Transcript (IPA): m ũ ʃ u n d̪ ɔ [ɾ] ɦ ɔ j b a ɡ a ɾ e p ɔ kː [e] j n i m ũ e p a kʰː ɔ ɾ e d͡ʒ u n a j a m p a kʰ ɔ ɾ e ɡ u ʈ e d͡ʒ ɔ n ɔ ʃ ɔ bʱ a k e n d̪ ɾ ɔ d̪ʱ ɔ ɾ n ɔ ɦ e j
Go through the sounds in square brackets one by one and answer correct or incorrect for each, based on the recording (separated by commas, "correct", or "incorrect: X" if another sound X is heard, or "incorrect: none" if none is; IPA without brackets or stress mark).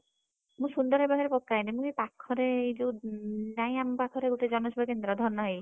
correct, incorrect: a